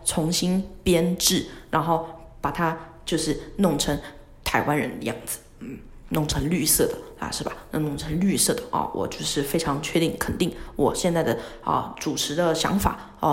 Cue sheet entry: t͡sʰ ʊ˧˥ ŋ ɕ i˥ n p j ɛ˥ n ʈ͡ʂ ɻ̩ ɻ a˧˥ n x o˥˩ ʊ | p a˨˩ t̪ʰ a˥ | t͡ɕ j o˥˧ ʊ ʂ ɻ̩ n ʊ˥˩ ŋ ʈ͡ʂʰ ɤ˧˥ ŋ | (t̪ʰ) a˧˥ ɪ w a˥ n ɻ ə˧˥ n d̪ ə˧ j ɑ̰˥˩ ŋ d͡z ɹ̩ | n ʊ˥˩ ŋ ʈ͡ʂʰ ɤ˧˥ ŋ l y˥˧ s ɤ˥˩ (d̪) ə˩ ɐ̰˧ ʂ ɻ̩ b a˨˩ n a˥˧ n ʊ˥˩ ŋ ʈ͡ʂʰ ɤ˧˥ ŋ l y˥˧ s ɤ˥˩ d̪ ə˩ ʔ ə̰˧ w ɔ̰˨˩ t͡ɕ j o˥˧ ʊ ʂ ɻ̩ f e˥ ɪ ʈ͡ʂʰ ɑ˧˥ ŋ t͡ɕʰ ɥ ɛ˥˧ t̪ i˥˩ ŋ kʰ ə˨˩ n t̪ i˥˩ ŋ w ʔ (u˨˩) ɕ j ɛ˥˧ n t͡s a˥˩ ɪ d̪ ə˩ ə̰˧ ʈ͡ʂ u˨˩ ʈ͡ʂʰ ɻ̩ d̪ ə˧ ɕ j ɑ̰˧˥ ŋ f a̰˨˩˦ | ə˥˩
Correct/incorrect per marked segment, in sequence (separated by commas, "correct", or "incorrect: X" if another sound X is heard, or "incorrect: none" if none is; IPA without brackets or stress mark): correct, correct, incorrect: ɔ˨˩